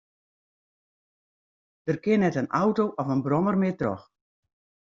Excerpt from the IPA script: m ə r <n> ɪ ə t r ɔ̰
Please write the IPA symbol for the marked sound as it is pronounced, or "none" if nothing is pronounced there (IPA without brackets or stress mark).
m